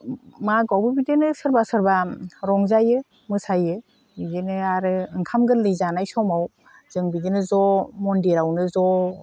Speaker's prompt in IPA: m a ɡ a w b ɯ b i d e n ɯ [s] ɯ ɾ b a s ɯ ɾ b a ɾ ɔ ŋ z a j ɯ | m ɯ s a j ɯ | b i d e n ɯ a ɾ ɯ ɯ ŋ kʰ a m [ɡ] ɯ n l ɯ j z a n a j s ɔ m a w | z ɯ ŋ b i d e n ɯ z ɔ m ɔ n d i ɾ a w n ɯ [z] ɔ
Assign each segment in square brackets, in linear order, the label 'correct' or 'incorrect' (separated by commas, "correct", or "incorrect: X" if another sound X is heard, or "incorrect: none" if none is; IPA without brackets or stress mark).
correct, correct, correct